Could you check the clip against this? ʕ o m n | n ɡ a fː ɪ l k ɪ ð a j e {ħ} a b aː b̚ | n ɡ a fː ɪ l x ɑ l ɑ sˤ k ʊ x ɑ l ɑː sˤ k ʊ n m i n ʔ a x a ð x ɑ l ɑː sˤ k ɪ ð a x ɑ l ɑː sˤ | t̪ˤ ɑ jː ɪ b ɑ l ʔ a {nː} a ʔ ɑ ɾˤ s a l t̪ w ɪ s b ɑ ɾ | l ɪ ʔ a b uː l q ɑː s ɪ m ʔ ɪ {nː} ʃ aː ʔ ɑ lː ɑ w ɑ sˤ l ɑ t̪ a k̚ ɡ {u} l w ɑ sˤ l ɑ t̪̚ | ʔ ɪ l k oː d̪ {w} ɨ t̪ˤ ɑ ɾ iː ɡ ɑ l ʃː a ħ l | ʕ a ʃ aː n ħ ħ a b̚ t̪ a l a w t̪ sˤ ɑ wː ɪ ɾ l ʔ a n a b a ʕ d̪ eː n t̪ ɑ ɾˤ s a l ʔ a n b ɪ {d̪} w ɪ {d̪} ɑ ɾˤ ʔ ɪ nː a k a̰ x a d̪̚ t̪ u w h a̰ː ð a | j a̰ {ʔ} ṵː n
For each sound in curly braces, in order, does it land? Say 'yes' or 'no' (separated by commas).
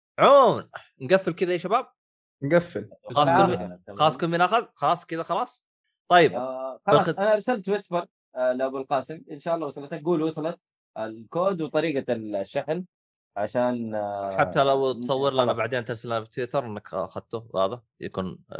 no, no, no, no, yes, no, no, no